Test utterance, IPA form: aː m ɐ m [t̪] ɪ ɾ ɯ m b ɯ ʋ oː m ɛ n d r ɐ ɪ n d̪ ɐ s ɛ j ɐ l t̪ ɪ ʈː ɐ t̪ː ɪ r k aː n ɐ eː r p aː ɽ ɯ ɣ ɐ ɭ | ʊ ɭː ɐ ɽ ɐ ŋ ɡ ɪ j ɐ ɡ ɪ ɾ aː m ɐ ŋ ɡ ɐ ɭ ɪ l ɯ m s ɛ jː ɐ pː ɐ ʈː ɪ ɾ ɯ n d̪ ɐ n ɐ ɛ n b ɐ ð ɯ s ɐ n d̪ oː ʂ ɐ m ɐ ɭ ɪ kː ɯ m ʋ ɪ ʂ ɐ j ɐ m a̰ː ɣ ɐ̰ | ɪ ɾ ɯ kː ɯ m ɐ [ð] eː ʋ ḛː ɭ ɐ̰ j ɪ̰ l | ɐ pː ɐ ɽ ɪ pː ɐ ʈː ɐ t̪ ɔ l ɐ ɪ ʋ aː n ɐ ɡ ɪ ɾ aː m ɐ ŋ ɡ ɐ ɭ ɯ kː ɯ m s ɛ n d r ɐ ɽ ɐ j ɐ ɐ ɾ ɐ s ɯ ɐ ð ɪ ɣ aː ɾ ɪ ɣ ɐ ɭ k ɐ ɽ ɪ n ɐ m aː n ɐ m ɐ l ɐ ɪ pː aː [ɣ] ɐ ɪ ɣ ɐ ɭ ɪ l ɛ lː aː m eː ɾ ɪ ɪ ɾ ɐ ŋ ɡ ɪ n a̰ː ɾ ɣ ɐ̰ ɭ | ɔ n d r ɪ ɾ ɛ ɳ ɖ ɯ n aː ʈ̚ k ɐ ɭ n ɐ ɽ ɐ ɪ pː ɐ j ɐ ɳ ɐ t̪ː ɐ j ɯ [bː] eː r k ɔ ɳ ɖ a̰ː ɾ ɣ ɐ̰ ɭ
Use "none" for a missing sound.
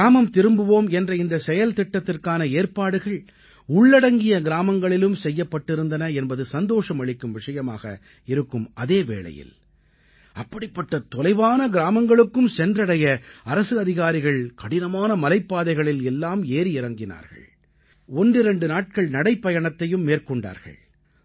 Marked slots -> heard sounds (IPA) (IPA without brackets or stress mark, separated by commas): t̪, ð, ð, mː